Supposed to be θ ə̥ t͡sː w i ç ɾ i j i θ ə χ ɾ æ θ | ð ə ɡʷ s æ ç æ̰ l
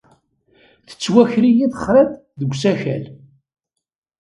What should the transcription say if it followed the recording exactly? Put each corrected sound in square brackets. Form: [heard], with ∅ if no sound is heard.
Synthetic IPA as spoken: θ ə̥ t͡sː w [æ] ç ɾ i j i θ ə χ ɾ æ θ | ð ə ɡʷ s æ ç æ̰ l